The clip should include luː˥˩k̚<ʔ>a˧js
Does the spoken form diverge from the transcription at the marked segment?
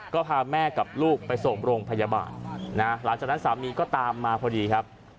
yes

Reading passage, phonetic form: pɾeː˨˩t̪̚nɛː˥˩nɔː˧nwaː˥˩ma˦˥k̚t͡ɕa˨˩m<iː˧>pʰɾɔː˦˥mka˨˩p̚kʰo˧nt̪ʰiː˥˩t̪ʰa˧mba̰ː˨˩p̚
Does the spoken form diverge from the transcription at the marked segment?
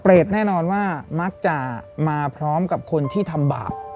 yes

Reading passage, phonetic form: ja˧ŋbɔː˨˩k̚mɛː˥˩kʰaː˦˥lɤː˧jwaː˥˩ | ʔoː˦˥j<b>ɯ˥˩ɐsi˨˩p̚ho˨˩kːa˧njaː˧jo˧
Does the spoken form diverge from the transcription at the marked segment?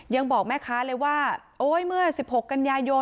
yes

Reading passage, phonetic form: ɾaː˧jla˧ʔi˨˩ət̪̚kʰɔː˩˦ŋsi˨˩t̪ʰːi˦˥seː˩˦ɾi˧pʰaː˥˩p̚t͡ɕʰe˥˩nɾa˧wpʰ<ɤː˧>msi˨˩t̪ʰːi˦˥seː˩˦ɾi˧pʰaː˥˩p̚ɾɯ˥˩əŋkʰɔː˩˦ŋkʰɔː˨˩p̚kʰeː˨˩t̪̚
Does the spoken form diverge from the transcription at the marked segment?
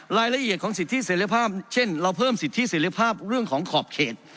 yes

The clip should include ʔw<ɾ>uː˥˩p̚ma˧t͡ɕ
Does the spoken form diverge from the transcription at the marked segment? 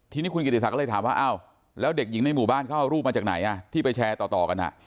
no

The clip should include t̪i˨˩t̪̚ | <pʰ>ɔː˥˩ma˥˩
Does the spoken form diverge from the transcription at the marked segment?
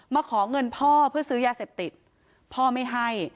no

